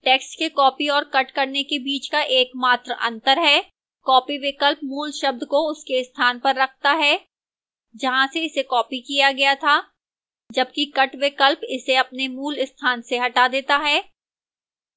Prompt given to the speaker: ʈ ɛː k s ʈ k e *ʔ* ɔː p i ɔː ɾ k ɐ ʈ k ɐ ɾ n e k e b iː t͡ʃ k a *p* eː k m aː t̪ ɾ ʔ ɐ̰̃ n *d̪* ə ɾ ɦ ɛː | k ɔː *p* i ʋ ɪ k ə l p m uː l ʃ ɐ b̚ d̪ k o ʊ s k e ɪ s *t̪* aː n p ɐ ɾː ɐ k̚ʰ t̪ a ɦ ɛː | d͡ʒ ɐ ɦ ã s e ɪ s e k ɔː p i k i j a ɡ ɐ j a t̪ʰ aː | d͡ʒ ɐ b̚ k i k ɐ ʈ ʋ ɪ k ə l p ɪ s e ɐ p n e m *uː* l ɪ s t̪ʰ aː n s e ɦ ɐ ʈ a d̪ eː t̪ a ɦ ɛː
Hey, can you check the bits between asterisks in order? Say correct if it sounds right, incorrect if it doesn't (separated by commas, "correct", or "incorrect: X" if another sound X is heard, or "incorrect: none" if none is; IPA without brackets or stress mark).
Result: incorrect: k, incorrect: ʔ, incorrect: t̪, correct, incorrect: t̪ʰ, correct